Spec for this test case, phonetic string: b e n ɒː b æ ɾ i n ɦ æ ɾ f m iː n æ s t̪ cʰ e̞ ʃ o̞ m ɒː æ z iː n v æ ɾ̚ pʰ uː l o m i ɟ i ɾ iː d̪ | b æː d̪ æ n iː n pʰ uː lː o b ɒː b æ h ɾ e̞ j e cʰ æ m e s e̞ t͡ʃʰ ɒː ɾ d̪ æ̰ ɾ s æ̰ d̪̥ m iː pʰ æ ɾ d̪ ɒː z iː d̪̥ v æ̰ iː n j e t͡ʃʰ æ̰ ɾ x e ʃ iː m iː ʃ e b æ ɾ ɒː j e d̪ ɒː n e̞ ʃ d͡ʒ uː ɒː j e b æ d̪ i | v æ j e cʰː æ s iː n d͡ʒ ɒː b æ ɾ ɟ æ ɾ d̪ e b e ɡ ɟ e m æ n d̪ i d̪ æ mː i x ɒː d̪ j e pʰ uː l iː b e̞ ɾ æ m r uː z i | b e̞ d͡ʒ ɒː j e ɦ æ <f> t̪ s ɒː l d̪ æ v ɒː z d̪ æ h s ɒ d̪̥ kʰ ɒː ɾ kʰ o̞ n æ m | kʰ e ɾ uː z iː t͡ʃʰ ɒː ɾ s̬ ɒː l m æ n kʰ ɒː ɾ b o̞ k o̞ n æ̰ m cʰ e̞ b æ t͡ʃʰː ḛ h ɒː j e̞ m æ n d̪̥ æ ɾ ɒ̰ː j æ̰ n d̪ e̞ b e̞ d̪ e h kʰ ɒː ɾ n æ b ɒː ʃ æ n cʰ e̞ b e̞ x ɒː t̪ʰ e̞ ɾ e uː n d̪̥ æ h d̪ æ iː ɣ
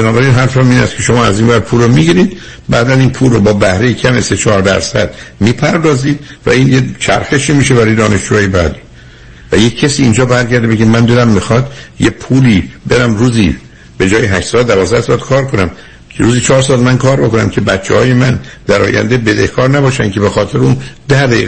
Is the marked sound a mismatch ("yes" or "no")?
yes